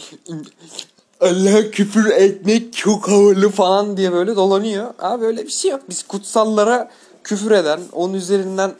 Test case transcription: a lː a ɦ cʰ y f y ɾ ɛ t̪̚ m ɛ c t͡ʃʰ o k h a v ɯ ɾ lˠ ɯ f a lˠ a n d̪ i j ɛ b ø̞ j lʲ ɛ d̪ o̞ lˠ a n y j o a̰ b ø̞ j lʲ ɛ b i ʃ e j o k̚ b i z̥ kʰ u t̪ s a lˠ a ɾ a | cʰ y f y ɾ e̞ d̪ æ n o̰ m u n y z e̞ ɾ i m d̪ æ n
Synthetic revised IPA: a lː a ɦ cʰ y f y ɾ ɛ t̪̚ m ɛ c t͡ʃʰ o k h a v ɯ ɾ lˠ ɯ f a lˠ a n d̪ i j ɛ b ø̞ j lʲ ɛ d̪ o̞ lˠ a n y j o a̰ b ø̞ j lʲ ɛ b i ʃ e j o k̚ b i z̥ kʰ u t̪ s a lˠː a ɾ a | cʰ y f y ɾ e̞ d̪ æ n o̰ n u n y z e̞ ɾ i n d̪ æ n